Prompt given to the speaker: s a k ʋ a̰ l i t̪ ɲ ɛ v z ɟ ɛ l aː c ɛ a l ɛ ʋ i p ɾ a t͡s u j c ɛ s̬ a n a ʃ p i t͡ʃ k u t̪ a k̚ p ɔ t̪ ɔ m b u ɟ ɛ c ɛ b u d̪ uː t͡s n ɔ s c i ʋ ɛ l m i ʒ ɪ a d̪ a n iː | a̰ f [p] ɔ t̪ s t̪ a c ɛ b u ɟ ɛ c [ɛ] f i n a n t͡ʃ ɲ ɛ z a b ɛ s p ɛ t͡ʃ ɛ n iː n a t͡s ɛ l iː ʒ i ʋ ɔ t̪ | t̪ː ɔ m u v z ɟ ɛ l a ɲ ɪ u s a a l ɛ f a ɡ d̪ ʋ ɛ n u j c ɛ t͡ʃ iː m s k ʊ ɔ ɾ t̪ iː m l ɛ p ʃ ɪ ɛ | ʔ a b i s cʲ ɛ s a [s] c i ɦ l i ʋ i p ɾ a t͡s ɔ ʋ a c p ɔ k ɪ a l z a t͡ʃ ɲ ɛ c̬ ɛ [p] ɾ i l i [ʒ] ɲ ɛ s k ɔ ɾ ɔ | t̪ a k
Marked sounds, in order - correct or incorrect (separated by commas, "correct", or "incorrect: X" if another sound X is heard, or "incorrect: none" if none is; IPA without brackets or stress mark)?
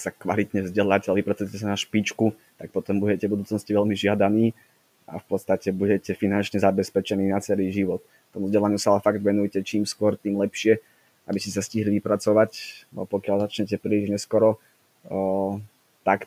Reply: correct, correct, correct, correct, correct